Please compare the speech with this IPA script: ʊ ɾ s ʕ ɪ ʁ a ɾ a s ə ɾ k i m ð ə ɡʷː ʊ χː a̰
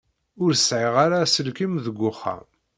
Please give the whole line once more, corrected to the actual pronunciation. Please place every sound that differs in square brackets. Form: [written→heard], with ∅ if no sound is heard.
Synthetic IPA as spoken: ʊ ɾ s ʕ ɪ ʁ a ɾ a s ə [ɾ→l] k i m ð ə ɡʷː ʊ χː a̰